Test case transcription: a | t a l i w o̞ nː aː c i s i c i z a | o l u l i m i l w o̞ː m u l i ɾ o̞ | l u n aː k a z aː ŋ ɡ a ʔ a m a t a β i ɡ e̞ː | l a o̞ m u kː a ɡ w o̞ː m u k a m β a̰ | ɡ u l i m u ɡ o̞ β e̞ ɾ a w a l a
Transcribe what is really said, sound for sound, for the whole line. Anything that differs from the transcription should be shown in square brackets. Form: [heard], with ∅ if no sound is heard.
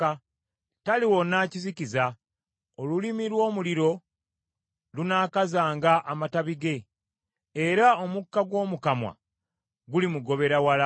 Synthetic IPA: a | t a l i w o̞ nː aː c i [z] i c i z a | o l u l i m i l w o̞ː m u l i ɾ o̞ | l u n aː k a z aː ŋ ɡ a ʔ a m a t a β i ɡ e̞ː | [ɾ] a o̞ m u kː a ɡ w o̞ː m u k a m [w] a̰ | ɡ u l i m u ɡ o̞ β e̞ ɾ a w a l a